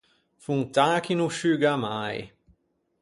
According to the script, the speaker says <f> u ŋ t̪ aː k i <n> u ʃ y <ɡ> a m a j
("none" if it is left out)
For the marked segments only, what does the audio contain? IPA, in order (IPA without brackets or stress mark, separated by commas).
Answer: f, n, ɡ